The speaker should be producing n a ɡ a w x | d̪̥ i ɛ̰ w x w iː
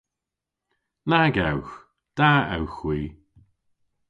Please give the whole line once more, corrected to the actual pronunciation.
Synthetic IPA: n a ɡ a w x | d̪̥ a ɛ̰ w x w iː

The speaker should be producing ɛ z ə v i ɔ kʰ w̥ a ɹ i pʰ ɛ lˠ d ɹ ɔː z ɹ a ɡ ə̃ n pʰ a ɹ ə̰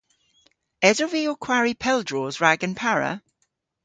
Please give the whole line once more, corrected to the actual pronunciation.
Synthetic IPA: ɛ z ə v i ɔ kʰ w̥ a ɹ i pʰ ɛ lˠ d ɹ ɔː z ɹ a ɡ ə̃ n pʰ a ɹ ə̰

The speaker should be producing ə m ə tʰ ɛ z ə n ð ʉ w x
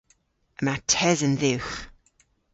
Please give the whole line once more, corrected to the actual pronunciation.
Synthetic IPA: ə m a tʰ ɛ z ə n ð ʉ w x

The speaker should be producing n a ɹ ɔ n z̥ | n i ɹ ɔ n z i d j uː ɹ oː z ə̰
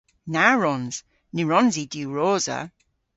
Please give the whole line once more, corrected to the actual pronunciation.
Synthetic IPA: n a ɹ ɔ n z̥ | n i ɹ ɔ n z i d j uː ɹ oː z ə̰

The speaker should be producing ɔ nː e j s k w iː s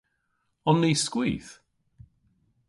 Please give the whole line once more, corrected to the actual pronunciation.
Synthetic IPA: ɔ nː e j s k w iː θ

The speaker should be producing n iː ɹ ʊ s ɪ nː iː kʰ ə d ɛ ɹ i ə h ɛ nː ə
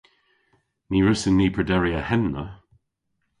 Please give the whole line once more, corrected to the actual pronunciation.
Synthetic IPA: n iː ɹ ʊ s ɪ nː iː pʰ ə d ɛ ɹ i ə h ɛ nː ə

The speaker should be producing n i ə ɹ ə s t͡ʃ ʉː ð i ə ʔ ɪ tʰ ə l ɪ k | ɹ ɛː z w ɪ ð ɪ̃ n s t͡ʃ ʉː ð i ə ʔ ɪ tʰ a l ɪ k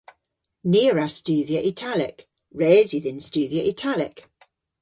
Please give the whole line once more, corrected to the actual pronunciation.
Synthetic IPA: n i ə ɹ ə s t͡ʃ ʉː ð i ə ʔ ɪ tʰ a l ɪ k | ɹ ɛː z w ɪ ð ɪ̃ n s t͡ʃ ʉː ð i ə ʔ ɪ tʰ a l ɪ k

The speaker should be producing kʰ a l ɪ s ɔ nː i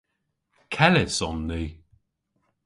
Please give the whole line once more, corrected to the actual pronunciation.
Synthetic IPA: kʰ ɛ l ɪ s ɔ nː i

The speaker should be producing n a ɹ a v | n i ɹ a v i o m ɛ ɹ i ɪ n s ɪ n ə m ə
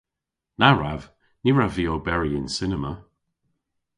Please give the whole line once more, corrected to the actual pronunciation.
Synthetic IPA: n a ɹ a v | n i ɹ a v i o b ɛ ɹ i ɪ n s ɪ n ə m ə

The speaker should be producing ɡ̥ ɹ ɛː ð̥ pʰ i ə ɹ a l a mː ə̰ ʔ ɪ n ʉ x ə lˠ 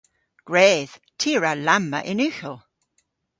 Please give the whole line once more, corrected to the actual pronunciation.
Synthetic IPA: ɡ̥ ɹ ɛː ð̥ tʰ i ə ɹ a l a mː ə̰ ʔ ɪ n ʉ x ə lˠ

